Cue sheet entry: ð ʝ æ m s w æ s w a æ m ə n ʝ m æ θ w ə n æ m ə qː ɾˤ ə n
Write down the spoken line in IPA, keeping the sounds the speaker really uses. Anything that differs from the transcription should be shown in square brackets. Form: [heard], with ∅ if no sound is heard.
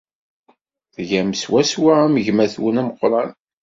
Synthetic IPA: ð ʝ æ m s w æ s w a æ m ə [∅] ʝ m æ θ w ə n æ m ə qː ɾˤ [ɑ] n